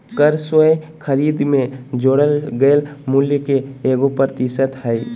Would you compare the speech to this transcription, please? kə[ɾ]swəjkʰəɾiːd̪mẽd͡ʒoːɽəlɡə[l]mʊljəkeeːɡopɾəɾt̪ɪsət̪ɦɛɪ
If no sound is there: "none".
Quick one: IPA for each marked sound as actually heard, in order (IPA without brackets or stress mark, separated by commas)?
ɾ, l